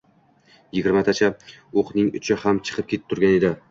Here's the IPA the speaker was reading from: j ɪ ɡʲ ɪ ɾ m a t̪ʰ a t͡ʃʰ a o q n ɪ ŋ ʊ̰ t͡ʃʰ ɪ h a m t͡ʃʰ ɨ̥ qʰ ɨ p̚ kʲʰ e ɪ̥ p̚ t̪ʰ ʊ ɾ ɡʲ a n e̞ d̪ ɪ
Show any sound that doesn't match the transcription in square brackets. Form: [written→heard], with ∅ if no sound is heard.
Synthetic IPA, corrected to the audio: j ɪ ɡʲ ɪ ɾ m a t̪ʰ a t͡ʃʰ a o q n ɪ ŋ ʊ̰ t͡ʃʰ ɪ h a m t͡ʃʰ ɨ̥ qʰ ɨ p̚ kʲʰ e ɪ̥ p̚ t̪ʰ ʊ ɾ ɡʲ a n e̞ d̪ ɪ